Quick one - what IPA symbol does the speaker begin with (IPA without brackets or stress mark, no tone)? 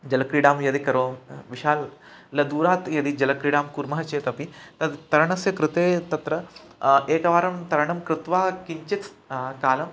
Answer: d͡ʒ